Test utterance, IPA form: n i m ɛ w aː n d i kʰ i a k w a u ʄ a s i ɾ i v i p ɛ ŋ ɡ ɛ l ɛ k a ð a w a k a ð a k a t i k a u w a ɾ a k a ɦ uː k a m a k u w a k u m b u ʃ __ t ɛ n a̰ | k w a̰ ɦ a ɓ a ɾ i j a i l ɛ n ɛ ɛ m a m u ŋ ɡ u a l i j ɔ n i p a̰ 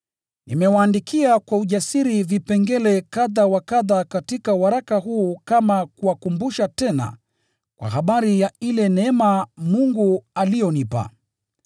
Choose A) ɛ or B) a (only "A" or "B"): B